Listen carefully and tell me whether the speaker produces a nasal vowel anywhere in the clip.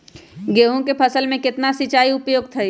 yes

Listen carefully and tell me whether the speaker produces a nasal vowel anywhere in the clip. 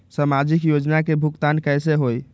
no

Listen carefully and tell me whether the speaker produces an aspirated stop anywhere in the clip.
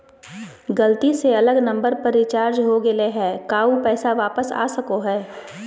no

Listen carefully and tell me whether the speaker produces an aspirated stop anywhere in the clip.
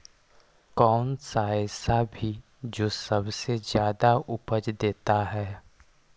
no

